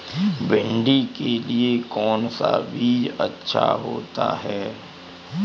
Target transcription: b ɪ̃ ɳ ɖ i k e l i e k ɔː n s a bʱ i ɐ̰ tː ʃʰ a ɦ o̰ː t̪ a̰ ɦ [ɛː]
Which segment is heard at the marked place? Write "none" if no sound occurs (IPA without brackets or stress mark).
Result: ɛː